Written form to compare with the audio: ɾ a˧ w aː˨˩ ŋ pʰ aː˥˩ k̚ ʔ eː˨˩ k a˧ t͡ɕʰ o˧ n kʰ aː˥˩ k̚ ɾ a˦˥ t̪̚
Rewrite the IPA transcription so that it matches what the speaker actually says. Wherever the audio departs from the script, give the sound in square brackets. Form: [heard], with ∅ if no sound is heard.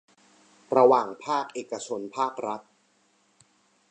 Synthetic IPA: ɾ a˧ w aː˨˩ ŋ pʰ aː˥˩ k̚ ʔ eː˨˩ k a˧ t͡ɕʰ o˧ n [pʰ] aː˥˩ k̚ ɾ a˦˥ t̪̚